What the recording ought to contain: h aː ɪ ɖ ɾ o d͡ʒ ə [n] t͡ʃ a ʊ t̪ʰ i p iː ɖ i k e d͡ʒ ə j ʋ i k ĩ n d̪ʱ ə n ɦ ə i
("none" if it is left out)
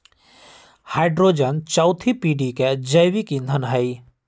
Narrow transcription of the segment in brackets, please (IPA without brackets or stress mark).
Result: n